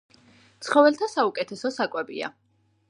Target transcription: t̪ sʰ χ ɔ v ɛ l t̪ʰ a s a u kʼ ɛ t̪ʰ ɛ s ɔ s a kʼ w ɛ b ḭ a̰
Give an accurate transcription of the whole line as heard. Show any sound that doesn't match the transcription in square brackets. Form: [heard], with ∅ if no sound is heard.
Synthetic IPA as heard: t̪ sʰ χ ɔ v ɛ l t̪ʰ a s a u kʼ ɛ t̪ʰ ɛ s ɔ s a kʼ w ɛ b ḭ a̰